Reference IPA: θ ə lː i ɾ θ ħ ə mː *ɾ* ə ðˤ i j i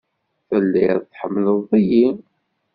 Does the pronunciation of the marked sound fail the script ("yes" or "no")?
yes